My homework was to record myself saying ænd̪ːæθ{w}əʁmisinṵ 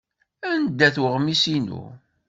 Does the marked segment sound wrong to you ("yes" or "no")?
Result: no